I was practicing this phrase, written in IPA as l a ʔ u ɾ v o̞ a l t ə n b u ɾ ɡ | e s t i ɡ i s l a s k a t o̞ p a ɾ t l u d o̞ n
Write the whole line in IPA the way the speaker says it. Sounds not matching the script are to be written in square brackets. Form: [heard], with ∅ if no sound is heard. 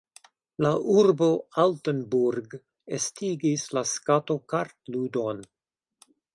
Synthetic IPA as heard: l a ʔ u ɾ [b] o̞ a l t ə n b u ɾ ɡ | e s t i ɡ i s l a s k a t o̞ [k] a ɾ t l u d o̞ n